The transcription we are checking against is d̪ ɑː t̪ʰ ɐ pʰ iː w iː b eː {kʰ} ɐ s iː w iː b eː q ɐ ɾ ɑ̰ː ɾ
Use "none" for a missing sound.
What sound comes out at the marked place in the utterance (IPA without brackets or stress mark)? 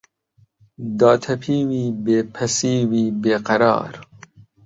pʰ